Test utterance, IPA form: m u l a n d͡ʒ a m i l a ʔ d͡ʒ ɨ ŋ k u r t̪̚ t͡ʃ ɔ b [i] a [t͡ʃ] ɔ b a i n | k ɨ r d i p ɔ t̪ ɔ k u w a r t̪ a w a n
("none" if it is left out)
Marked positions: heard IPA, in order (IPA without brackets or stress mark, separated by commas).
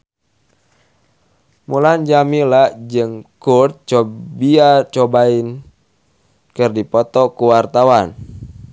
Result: i, t͡ʃ